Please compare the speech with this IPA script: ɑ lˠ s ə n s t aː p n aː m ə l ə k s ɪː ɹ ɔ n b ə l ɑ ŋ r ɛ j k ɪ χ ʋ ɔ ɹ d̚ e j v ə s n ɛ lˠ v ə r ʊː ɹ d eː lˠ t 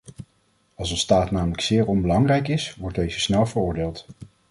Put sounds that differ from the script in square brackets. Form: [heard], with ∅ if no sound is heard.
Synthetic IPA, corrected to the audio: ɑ lˠ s ə n s t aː [t] n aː m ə l ə k s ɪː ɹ ɔ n b ə l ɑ ŋ r ɛ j k ɪ [s] ʋ ɔ ɹ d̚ e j [z] ə s n ɛ lˠ v ə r ʊː ɹ d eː lˠ t